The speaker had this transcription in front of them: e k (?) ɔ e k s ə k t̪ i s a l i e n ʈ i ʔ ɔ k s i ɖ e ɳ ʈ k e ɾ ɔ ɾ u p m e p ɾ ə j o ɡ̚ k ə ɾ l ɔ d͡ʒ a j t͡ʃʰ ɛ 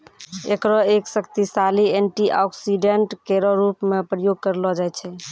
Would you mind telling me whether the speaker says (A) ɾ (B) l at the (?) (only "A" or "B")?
A